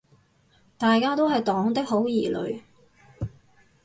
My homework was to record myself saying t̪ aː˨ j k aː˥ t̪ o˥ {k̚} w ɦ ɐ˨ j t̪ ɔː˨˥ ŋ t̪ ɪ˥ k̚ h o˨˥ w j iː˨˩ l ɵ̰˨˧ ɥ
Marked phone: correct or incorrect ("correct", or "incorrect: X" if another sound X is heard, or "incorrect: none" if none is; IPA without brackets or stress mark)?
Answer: incorrect: none